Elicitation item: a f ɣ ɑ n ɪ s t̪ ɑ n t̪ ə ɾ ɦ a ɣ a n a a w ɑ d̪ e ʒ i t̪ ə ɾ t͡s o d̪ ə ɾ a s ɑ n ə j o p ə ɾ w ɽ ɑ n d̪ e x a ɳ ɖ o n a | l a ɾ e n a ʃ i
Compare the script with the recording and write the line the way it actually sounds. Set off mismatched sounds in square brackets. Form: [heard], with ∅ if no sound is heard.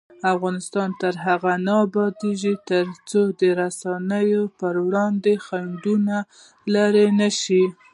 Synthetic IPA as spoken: a f ɣ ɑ n ɪ s t̪ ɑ n t̪ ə ɾ ɦ a ɣ a n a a [b] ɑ d̪ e ʒ i t̪ ə ɾ t͡s o d̪ ə ɾ a s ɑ n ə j o p ə ɾ w ɽ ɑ n d̪ e x a ɳ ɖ [u] n a | l a ɾ e n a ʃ i